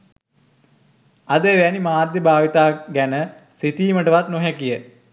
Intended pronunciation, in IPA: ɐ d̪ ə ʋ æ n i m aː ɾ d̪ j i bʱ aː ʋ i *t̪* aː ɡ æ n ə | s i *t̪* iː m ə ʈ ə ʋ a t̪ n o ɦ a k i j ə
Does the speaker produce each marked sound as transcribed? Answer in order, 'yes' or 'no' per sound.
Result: yes, yes

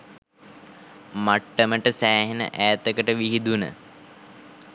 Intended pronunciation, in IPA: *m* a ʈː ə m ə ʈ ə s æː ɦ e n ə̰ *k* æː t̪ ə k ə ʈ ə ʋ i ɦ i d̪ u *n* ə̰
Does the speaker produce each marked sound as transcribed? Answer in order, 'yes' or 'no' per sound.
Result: yes, no, yes

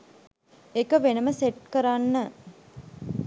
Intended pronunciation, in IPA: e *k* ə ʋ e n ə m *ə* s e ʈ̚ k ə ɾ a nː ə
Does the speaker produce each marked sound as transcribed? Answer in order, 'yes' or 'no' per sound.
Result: yes, yes

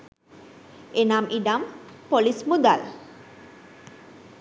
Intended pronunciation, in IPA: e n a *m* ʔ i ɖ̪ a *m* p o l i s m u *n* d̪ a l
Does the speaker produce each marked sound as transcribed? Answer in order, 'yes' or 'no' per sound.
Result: yes, yes, no

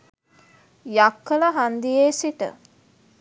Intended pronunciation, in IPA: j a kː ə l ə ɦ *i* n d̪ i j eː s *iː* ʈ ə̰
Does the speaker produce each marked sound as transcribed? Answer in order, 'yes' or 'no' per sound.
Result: no, no

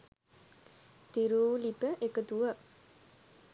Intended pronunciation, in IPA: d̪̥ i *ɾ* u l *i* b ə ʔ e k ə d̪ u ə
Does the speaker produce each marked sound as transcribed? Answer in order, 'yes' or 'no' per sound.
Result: yes, yes

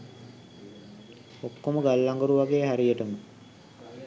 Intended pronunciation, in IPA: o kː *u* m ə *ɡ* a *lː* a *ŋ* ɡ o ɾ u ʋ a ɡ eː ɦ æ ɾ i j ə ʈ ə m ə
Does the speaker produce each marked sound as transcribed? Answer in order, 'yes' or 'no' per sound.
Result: no, yes, yes, yes

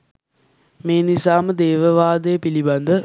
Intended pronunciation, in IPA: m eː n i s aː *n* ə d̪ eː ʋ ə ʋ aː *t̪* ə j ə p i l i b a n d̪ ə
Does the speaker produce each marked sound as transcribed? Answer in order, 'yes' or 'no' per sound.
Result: no, no

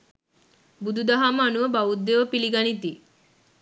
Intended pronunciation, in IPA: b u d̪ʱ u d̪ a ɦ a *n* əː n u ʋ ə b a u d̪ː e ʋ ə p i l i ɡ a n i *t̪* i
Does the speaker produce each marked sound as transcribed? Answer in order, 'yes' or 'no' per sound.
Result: no, yes

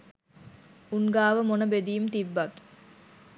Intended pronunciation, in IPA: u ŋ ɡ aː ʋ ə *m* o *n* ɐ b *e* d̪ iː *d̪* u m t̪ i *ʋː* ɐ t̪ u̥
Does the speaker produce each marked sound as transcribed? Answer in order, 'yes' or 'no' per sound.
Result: yes, yes, yes, no, yes

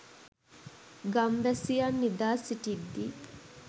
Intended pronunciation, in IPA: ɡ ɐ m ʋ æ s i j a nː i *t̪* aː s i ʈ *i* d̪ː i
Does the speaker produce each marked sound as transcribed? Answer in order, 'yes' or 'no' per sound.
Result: no, yes

